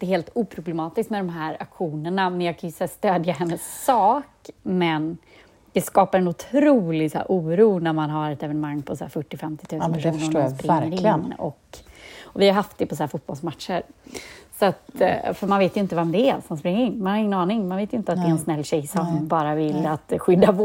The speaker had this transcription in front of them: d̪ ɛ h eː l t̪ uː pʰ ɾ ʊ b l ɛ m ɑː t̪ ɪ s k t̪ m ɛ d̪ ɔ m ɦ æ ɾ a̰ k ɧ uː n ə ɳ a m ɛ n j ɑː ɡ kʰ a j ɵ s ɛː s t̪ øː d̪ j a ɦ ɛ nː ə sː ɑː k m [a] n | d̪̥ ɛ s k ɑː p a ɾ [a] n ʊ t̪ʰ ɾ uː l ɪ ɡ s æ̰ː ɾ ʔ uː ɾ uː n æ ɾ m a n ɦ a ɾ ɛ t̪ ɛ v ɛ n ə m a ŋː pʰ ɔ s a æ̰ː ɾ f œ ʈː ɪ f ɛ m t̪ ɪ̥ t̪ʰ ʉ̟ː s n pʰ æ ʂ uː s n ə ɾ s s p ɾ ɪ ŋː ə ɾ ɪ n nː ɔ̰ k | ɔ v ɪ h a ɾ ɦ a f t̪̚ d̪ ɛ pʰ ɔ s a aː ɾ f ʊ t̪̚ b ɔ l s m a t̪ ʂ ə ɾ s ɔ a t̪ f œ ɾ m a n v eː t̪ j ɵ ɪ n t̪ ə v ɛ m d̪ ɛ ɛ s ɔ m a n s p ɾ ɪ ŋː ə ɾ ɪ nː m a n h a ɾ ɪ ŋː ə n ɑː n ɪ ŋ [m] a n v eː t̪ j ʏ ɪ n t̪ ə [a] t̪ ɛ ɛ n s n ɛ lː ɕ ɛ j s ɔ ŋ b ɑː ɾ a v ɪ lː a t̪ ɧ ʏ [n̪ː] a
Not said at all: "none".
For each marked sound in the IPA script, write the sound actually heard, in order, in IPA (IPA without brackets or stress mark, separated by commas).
ɛ, ɛ, m, a, d̪ː